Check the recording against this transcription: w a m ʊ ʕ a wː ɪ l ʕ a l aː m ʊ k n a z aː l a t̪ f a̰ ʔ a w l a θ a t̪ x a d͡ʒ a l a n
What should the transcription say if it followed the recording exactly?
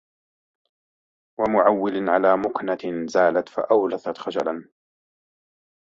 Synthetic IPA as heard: w a m ʊ ʕ a wː ɪ l ʕ a l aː m ʊ k n a z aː l a t̪ f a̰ ʔ a w l a θ a t̪ x a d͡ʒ a l a n